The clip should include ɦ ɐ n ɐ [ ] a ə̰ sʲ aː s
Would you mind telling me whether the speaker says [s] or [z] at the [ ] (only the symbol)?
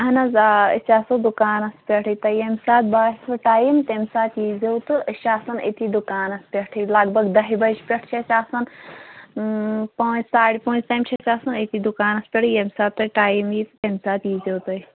z